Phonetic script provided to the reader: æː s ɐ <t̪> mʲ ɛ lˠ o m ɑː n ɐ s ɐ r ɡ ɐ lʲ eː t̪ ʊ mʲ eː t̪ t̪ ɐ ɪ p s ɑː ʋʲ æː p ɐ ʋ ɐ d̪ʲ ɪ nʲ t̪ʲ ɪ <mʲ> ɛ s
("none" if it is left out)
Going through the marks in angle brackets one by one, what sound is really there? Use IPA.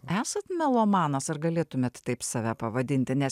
t̪, nʲ

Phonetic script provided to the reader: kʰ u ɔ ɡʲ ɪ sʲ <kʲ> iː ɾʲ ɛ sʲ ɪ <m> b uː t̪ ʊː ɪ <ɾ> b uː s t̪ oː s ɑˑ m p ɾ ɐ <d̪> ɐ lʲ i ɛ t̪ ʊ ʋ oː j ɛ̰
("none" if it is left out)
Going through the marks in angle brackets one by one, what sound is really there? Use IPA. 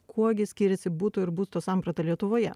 kʲ, none, ɾ, t̪

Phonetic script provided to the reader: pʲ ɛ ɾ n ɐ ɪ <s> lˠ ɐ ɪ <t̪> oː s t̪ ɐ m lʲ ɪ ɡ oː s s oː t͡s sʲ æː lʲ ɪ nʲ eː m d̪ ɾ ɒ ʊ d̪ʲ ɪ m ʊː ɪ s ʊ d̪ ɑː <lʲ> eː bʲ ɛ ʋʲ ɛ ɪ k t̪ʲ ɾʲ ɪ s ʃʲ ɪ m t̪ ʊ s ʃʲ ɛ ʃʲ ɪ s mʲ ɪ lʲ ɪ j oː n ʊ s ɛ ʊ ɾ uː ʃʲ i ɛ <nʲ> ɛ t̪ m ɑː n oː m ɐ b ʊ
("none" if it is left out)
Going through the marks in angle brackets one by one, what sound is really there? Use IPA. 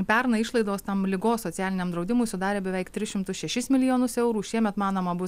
ʃ, d̪, ɾʲ, mʲ

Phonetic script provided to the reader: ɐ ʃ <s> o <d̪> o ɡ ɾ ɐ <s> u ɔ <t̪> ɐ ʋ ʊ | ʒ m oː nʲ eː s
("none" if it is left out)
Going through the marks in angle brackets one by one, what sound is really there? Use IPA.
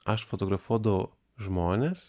f, t̪, f, d̪

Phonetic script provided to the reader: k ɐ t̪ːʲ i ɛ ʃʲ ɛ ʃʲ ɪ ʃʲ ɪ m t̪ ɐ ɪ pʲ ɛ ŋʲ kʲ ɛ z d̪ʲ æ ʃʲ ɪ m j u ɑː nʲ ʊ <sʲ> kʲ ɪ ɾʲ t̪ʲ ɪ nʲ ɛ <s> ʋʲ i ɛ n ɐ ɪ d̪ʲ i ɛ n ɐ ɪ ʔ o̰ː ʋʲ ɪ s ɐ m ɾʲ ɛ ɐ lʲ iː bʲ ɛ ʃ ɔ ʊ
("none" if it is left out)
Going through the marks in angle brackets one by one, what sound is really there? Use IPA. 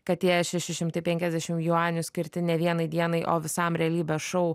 sʲ, none

